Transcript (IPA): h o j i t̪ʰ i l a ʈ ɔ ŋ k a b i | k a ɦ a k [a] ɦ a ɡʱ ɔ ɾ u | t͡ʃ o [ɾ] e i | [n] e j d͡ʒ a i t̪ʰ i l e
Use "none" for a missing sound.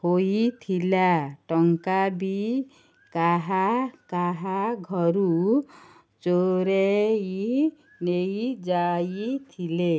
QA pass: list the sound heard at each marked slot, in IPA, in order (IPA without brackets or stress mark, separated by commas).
a, ɾ, n